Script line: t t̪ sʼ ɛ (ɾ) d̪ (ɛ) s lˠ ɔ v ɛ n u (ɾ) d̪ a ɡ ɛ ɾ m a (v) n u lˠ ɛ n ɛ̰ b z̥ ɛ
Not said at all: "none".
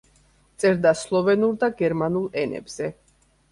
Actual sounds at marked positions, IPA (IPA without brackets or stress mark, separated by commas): ɾ, a, ɾ, none